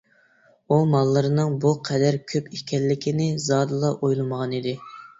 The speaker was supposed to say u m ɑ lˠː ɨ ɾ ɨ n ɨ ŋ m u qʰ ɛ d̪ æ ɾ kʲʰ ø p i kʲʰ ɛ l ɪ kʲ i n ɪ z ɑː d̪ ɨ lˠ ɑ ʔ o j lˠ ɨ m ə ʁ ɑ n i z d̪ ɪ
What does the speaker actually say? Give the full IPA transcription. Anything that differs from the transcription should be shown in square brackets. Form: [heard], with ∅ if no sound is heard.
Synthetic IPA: u m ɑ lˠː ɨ ɾ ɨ n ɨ ŋ [b] u qʰ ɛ d̪ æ ɾ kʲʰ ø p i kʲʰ ɛ [lː] ɪ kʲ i n ɪ z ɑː d̪ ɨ lˠ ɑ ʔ o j lˠ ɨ m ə ʁ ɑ n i [∅] d̪ ɪ